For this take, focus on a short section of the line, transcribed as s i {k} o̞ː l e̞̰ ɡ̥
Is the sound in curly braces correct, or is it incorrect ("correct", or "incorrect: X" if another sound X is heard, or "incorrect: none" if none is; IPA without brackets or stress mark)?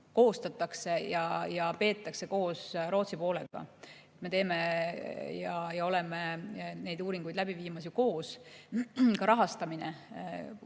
incorrect: p